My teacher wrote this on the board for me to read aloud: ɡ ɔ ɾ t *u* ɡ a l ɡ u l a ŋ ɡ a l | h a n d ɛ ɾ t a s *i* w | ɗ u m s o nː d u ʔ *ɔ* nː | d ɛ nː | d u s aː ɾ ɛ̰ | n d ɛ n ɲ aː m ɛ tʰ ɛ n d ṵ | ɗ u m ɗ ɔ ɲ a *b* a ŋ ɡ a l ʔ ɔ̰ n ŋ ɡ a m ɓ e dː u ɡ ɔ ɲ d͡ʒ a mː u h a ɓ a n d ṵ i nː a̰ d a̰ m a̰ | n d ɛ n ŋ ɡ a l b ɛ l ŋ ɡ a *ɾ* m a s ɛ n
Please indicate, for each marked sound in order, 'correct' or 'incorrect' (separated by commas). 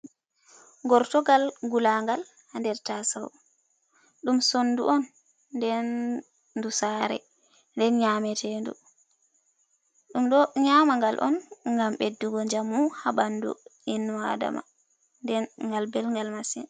incorrect, incorrect, correct, incorrect, incorrect